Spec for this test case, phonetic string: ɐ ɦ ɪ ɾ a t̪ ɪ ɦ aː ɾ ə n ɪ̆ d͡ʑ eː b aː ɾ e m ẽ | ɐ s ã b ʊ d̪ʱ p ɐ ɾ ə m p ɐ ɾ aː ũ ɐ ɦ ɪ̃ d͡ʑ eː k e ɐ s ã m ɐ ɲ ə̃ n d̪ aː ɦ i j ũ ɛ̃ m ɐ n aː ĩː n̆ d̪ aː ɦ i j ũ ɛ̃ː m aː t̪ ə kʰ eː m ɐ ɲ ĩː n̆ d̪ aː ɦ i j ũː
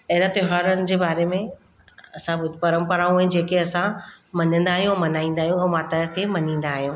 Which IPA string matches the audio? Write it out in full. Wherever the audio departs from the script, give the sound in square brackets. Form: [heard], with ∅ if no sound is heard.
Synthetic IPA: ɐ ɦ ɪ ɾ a t̪ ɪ ɦ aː ɾ ə n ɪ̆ d͡ʑ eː b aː ɾ e m ẽ | ɐ s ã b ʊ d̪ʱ p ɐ ɾ ə m p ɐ ɾ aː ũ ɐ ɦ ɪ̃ d͡ʑ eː k e ɐ s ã m ɐ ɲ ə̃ n d̪ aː ɦ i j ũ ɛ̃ m ɐ n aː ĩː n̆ d̪ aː ɦ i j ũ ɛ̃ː m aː t̪ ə kʰ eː m ɐ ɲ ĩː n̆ d̪ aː ɦ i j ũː